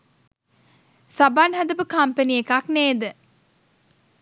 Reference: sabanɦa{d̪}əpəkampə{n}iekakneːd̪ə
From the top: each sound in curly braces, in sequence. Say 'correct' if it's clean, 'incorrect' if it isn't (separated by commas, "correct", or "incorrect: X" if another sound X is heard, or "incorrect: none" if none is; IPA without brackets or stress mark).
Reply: correct, correct